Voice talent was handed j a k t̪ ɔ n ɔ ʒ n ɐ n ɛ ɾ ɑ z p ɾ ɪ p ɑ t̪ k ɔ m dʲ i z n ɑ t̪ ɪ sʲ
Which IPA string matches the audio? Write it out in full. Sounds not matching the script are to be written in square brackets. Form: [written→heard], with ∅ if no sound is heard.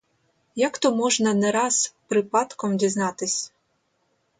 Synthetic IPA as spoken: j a k t̪ ɔ [n→m] ɔ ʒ n ɐ n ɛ ɾ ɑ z p ɾ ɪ p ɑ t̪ k ɔ m dʲ i z n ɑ t̪ ɪ sʲ